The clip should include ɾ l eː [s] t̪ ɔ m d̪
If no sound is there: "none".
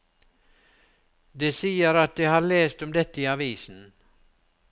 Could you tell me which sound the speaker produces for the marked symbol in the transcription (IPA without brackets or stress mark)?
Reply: s